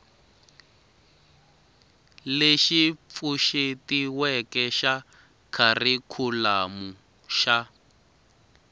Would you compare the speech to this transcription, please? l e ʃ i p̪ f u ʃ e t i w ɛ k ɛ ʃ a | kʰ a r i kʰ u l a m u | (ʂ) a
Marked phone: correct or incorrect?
incorrect